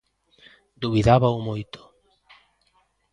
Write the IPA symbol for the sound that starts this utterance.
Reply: d̪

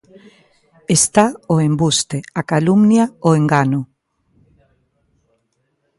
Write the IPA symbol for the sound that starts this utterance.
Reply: e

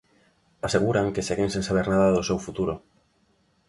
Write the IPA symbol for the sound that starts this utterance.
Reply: a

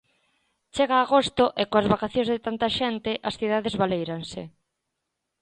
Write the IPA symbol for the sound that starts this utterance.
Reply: t͡ʃ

